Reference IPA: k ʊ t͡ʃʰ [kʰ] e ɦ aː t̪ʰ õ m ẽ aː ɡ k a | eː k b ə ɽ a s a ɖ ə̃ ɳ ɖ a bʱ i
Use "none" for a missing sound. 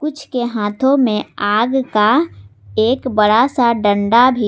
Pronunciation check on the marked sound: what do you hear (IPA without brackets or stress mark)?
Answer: k